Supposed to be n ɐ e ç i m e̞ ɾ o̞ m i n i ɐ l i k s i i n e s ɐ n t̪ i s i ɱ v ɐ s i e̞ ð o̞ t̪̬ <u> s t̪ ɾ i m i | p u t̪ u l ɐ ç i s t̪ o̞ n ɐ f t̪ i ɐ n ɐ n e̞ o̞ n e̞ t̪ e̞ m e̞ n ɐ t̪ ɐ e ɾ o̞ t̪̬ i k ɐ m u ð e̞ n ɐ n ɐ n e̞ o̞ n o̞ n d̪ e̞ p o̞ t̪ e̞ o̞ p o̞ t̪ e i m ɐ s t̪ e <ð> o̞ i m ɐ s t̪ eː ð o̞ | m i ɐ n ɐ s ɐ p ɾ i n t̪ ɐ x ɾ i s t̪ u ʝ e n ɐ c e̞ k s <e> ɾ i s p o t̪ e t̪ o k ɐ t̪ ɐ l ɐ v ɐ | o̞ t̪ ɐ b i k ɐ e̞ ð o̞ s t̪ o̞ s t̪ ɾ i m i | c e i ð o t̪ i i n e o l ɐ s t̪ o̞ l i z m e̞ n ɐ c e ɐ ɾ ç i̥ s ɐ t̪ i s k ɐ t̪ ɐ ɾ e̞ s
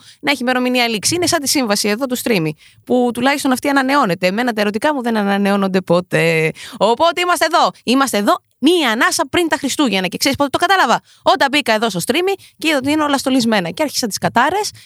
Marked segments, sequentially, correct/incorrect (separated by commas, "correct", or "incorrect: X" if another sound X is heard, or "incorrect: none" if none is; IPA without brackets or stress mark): correct, correct, correct